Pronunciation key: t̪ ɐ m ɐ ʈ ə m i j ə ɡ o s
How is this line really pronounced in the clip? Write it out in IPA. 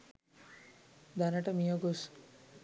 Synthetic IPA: d̪ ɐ n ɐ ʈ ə m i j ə ɡ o s